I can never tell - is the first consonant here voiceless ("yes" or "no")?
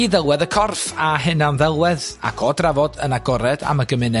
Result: no